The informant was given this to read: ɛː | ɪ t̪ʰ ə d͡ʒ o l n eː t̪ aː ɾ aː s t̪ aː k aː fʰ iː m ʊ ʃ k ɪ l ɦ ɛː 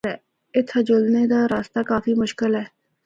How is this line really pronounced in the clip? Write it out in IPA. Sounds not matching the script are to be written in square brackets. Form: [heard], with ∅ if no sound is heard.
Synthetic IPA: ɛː | ɪ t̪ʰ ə d͡ʒ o l n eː [d̪] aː ɾ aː s t̪ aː k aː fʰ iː m ʊ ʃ k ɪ l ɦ ɛː